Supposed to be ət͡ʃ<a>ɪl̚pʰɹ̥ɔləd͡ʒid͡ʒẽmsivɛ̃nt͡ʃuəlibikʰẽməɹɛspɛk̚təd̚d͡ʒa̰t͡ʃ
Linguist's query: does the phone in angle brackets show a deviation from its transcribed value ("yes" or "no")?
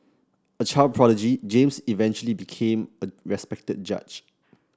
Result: no